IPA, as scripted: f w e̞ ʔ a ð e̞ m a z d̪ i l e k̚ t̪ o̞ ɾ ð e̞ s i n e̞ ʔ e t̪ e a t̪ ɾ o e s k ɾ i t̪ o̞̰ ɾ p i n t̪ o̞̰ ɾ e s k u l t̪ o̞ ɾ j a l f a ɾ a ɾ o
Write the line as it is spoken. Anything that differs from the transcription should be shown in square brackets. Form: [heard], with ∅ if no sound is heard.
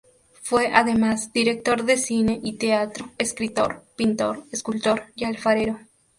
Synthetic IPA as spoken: f w e̞ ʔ a ð e̞ m a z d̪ i [ɾ] e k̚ t̪ o̞ ɾ ð e̞ s i n e̞ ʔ [i] t̪ e a t̪ ɾ o e s k ɾ i t̪ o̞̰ ɾ p i n t̪ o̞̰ ɾ e s k u l t̪ o̞ ɾ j a l f a ɾ [e] ɾ o

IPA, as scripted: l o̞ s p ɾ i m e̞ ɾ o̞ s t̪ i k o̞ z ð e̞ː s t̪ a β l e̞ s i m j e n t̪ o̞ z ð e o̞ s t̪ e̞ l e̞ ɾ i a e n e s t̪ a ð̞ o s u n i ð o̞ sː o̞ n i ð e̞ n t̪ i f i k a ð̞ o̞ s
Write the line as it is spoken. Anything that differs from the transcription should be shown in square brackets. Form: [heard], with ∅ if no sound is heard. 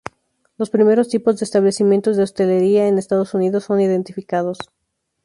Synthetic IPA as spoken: l o̞ s p ɾ i m e̞ ɾ o̞ s t̪ i [p] o̞ z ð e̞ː s t̪ a β l e̞ s i m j e n t̪ o̞ z ð e o̞ s t̪ e̞ l e̞ ɾ i a e n e s t̪ a ð̞ o s u n i ð o̞ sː o̞ n i ð e̞ n t̪ i f i k a ð̞ o̞ s

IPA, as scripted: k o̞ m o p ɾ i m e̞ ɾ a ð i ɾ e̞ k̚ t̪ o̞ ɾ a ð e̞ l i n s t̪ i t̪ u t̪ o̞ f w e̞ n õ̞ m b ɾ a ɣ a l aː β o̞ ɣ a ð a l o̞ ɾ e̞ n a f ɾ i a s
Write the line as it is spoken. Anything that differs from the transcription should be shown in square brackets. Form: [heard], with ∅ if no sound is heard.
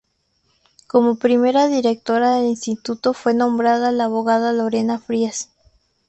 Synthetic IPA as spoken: k o̞ m o p ɾ i m e̞ ɾ a ð i ɾ e̞ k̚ t̪ o̞ ɾ a ð e̞ l i n s t̪ i t̪ u t̪ o̞ f w e̞ n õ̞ m b ɾ a [ð] a l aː β o̞ ɣ a ð a l o̞ ɾ e̞ n a f ɾ i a s

